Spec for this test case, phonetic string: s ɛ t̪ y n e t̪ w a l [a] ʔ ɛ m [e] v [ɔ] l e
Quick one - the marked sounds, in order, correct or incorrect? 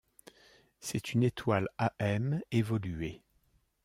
correct, correct, correct

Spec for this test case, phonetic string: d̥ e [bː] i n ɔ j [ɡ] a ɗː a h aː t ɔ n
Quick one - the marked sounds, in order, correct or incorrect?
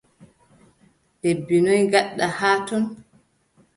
correct, correct

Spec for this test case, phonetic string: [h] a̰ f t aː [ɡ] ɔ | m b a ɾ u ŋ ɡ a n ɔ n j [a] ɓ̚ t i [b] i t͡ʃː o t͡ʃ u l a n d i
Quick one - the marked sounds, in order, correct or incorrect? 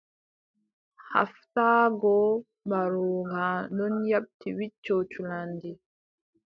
correct, correct, correct, incorrect: w

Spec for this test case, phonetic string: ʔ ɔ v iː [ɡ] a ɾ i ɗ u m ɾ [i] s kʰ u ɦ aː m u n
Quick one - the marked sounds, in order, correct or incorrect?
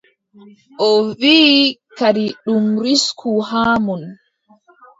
incorrect: k, correct

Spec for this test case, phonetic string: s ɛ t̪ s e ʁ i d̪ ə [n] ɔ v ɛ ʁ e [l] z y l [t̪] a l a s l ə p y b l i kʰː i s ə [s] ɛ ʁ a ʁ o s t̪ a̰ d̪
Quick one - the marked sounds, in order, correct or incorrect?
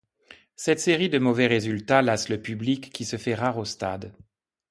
incorrect: m, incorrect: none, correct, incorrect: f

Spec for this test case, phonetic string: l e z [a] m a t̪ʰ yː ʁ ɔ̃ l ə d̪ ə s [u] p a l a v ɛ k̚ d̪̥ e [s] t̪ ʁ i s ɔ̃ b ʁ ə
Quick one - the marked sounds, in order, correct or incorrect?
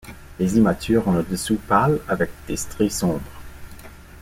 incorrect: i, correct, correct

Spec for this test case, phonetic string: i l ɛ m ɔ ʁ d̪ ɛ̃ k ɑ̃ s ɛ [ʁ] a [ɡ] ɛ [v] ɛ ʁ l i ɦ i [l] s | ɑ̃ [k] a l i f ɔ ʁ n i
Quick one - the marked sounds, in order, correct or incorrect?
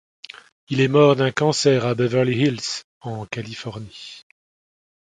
correct, incorrect: b, correct, correct, correct

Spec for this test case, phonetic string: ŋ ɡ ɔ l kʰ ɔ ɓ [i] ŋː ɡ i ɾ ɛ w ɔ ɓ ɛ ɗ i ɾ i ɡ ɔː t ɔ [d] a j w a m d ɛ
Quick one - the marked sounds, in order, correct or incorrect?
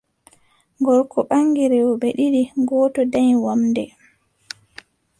incorrect: a, correct

